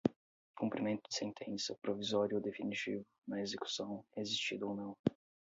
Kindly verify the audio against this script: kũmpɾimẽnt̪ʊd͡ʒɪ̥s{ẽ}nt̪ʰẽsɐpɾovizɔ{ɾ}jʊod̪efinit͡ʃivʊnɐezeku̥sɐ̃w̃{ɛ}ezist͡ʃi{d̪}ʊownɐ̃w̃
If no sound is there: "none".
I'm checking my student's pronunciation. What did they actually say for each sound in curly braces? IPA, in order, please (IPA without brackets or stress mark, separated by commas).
ẽ, ɾ, ɛ, d̪